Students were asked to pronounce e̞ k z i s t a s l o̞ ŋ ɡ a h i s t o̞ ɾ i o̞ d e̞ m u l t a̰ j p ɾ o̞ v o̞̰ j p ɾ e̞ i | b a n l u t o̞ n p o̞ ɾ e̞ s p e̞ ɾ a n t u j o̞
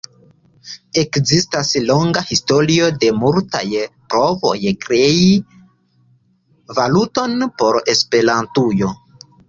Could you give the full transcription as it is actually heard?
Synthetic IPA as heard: e̞ k z i s t a s l o̞ ŋ ɡ a h i s t o̞ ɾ i o̞ d e̞ m u l t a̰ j p ɾ o̞ v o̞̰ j k ɾ e̞ i | v a l u t o̞ n p o̞ ɾ e̞ s p e̞ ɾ a n t u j o̞